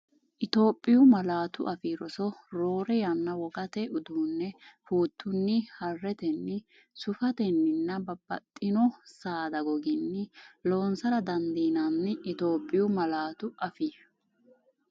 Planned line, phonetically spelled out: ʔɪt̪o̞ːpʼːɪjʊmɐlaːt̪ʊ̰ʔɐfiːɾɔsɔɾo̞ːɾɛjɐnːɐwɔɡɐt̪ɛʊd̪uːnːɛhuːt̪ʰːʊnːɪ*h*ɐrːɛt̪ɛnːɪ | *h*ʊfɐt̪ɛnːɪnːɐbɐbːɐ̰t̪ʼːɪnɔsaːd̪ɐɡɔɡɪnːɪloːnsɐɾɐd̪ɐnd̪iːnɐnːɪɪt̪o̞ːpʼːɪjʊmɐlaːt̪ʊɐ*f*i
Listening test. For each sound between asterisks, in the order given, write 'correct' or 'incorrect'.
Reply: correct, incorrect, correct

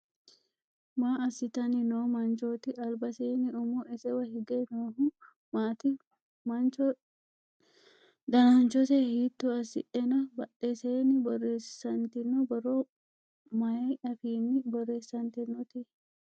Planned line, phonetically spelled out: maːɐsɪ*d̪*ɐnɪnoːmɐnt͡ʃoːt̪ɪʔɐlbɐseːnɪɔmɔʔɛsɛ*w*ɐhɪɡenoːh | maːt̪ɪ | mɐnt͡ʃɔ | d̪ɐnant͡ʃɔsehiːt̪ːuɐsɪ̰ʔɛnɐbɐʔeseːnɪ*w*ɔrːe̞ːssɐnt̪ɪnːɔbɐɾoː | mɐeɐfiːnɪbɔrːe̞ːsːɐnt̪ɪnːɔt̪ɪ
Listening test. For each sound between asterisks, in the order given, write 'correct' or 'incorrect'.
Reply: incorrect, correct, incorrect

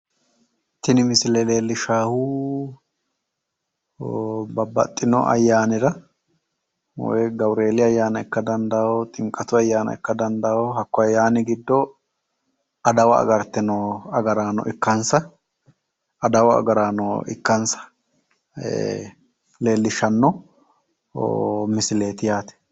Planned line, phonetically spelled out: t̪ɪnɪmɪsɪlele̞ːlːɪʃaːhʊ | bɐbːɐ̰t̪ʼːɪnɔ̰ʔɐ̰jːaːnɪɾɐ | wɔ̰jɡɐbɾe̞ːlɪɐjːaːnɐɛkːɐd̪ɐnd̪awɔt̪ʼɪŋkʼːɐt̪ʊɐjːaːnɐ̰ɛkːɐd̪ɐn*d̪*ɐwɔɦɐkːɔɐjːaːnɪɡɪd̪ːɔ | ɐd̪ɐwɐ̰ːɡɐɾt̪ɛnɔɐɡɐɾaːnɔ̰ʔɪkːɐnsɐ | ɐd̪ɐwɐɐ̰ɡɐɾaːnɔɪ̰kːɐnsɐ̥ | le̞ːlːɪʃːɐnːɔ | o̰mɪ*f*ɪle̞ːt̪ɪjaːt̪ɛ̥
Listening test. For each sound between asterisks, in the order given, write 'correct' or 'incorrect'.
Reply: correct, incorrect

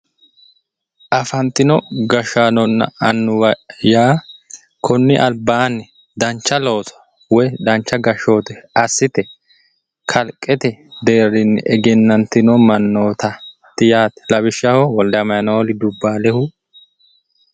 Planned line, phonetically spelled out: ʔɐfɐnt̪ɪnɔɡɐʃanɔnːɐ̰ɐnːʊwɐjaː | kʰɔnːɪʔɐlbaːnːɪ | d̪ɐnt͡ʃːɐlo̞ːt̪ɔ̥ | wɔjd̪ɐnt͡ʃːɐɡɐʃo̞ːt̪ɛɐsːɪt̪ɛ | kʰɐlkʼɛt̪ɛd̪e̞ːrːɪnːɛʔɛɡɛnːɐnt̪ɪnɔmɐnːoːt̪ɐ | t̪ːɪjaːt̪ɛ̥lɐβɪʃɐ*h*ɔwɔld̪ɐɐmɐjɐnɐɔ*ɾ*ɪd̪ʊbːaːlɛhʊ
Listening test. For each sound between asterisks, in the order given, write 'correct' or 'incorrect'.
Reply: correct, incorrect

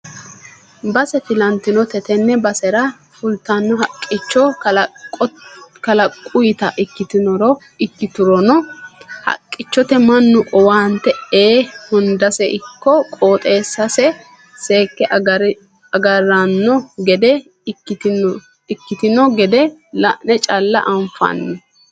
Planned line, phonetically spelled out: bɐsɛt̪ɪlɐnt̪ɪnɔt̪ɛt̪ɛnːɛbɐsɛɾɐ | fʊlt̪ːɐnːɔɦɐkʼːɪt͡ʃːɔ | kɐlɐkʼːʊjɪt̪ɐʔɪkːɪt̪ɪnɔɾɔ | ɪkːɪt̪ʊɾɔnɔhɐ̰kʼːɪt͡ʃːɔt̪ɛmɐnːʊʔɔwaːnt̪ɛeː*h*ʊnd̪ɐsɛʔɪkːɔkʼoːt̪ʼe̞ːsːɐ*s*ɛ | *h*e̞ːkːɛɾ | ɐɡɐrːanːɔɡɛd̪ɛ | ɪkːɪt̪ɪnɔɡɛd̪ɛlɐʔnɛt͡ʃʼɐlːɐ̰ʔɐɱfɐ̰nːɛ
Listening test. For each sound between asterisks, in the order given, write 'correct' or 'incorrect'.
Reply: correct, correct, incorrect

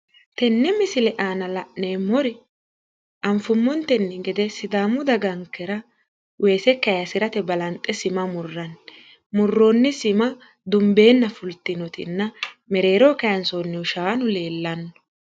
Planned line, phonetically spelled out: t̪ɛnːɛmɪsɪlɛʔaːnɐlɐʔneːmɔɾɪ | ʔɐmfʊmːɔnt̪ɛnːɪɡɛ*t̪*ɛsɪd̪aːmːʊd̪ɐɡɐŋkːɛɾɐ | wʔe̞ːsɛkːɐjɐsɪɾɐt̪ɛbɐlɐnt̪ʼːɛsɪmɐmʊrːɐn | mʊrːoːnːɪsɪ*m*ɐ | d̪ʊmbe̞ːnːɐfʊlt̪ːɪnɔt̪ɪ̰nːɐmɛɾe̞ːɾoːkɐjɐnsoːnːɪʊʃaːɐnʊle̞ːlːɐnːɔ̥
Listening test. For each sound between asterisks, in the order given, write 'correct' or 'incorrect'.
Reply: incorrect, correct

